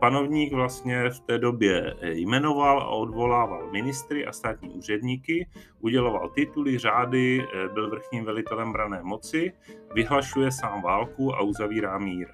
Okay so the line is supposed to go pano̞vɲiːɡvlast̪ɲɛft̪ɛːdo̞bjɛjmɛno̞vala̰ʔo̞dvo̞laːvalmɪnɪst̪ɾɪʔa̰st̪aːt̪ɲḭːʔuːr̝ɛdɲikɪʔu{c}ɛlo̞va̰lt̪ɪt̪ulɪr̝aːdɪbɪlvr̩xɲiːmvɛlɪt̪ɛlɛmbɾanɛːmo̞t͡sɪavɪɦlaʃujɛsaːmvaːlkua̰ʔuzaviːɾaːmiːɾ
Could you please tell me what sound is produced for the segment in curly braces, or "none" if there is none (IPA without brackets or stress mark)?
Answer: ɟ